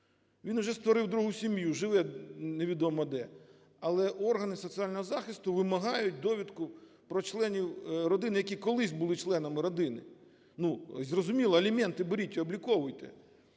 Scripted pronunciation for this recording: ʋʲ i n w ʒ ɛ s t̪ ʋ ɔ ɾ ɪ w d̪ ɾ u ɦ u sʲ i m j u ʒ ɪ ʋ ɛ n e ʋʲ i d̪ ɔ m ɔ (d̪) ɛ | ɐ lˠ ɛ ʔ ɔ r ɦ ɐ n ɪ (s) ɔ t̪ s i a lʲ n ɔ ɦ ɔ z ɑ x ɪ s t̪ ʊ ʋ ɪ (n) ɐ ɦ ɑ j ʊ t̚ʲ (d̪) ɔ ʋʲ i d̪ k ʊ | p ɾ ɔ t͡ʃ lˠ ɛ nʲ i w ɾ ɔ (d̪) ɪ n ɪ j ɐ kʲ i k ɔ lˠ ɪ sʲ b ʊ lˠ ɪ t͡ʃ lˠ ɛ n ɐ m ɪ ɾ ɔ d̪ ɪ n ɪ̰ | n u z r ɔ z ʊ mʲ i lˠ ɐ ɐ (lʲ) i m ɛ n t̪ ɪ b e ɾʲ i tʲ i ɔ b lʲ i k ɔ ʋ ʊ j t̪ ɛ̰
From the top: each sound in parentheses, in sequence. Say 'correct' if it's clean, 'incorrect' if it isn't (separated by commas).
correct, correct, incorrect, correct, correct, correct